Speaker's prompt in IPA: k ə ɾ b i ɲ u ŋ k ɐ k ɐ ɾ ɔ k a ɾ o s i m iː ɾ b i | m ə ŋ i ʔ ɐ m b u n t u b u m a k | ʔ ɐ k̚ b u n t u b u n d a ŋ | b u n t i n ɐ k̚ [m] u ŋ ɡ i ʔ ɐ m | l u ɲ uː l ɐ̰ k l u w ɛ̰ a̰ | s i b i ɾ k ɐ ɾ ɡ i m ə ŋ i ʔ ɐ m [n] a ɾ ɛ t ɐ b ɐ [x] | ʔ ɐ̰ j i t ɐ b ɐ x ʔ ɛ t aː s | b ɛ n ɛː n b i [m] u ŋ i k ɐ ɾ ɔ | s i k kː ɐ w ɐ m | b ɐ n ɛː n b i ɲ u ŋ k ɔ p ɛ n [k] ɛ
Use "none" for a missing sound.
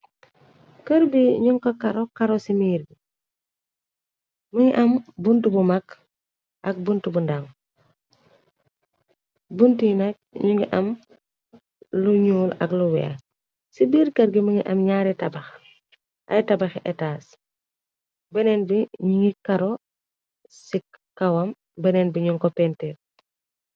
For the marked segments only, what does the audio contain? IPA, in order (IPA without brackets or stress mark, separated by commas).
ɲ, ɲ, x, ɲ, t